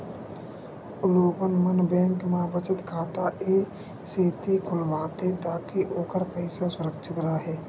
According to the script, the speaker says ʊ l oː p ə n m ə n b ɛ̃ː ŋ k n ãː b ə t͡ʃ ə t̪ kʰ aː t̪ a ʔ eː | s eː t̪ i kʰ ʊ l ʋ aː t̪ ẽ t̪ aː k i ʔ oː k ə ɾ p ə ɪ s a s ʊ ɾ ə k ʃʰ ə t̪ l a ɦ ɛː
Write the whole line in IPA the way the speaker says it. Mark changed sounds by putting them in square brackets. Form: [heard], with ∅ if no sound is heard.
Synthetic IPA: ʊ l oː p ə n m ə n b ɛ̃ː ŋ k [m] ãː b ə t͡ʃ ə t̪ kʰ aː t̪ a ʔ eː | s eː t̪ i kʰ ʊ l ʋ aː t̪ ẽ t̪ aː k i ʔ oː k ə ɾ p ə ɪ s a s ʊ ɾ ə k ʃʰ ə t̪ [ɾ] a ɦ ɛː